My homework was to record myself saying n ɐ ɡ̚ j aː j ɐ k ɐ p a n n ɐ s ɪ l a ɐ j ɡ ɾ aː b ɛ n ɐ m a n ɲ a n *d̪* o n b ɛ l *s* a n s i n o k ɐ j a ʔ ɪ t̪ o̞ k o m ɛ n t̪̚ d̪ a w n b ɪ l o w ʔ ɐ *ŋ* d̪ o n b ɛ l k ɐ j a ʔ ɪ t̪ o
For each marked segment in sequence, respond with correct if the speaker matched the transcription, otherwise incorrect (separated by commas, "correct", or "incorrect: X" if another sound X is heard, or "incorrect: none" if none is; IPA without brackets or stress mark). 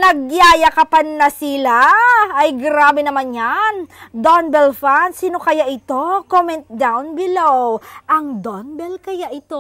correct, incorrect: f, correct